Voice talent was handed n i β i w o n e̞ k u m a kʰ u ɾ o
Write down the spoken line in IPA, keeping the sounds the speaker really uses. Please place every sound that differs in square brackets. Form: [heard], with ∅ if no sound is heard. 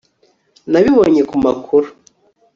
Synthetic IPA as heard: n [a] β i [β] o [ɲ] e̞ k u m a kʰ u ɾ [u]